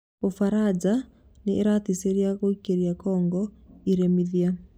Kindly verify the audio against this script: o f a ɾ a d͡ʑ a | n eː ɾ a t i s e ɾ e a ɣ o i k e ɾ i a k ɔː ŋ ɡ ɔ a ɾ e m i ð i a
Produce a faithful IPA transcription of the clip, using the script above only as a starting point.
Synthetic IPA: o f a ɾ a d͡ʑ a | n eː ɾ a t i s e ɾ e a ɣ o i k e ɾ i a k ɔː ŋ ɡ ɔ i ɾ e m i ð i a